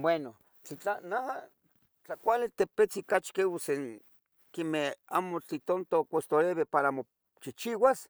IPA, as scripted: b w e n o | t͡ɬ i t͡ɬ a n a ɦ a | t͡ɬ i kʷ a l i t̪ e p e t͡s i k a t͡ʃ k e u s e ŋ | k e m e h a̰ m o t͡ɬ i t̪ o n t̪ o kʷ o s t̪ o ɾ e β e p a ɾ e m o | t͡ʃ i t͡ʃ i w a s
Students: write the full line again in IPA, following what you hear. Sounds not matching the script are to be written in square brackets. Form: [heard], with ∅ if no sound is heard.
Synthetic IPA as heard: b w e n o | t͡ɬ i t͡ɬ a n a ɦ a | t͡ɬ [a] kʷ a l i t̪ e p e t͡s i k a t͡ʃ k e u s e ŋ | k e m e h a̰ m o t͡ɬ i t̪ o n t̪ o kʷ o s t̪ o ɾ e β e p a ɾ [a] m o | t͡ʃ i t͡ʃ i w a s